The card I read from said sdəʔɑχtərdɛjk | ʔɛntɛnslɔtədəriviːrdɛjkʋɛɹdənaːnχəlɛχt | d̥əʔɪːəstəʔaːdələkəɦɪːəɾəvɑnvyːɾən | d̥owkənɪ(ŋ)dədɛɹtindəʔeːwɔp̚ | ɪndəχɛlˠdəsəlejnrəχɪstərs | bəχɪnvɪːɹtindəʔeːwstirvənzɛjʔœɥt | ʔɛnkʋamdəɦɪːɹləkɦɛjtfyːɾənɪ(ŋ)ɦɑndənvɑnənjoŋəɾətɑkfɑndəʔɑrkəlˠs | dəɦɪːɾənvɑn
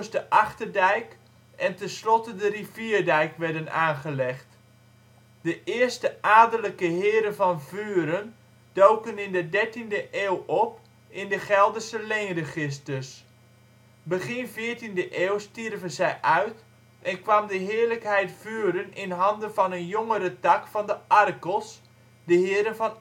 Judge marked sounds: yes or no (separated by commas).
no, no